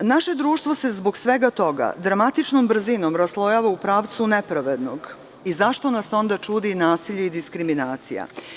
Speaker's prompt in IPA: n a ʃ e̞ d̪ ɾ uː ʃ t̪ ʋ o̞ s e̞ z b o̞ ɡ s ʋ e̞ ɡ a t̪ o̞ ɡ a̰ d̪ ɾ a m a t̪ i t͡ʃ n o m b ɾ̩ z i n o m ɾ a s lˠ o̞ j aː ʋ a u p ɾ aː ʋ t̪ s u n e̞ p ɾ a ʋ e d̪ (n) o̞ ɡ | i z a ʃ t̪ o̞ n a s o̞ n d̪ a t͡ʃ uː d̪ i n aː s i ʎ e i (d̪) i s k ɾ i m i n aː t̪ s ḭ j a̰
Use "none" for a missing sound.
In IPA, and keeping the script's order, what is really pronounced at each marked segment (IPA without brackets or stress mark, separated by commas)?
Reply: n, d̪